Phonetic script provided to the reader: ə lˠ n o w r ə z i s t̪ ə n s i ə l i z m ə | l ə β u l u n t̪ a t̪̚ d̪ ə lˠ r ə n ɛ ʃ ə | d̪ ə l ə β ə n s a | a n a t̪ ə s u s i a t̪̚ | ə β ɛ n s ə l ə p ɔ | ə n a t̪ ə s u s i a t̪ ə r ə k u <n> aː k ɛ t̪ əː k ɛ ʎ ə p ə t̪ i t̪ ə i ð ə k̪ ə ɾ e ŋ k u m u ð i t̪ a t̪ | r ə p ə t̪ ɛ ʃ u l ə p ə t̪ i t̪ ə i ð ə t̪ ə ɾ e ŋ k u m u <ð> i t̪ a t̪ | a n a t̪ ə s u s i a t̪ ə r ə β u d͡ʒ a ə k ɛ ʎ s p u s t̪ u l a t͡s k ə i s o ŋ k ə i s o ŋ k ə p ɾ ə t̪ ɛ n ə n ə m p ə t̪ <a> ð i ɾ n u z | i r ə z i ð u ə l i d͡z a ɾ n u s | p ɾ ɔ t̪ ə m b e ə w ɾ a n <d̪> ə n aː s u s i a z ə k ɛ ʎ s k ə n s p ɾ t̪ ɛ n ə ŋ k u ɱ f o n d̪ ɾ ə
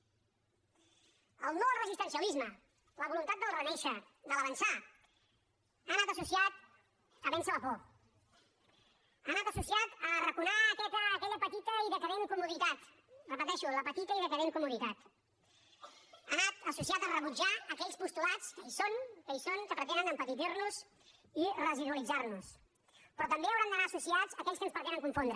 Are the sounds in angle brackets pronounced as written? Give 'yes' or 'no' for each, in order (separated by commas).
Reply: yes, yes, no, yes